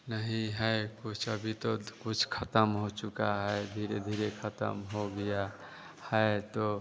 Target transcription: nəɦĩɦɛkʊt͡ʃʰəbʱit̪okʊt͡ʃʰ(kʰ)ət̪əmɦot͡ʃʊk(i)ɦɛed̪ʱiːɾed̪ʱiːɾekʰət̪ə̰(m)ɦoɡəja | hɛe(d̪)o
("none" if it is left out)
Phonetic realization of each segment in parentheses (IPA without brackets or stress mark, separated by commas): kʰ, a, m, t̪